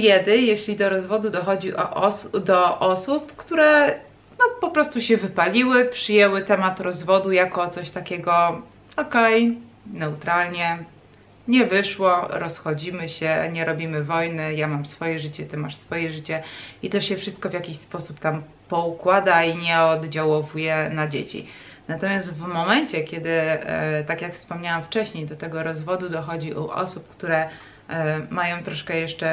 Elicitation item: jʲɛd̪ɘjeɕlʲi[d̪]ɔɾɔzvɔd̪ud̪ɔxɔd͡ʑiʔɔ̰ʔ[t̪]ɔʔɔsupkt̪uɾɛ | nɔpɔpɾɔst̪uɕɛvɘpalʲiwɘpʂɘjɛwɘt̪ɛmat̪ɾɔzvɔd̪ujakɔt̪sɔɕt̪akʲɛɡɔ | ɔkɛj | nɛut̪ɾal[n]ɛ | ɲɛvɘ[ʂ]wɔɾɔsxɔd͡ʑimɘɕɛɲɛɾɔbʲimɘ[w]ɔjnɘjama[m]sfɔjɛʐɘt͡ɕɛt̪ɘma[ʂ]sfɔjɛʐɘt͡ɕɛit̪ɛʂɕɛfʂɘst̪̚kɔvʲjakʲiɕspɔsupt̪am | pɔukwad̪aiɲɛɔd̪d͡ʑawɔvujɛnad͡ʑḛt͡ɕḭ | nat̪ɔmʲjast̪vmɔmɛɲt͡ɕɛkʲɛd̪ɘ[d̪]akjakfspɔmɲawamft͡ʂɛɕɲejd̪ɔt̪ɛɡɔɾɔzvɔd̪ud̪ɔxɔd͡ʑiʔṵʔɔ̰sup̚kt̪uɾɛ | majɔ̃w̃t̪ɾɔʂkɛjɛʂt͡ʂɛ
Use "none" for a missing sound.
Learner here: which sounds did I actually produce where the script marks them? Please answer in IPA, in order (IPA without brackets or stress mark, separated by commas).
d̪, d̪, ɲ, ʂ, v, m, ʂ, t̪